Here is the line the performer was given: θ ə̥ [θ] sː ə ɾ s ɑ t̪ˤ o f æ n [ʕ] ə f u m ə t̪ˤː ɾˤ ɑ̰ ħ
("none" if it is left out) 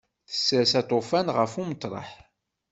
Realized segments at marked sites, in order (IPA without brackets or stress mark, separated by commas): none, ʁ